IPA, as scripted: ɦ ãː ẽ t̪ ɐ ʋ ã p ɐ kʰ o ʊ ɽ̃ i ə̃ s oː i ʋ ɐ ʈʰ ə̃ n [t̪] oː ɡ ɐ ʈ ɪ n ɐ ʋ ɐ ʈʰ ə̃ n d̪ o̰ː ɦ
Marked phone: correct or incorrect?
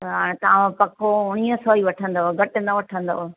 incorrect